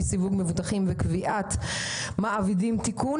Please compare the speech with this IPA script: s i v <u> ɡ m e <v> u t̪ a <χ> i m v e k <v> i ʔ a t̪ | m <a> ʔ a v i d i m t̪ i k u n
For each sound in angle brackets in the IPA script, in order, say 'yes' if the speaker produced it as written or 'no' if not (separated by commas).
yes, yes, yes, yes, yes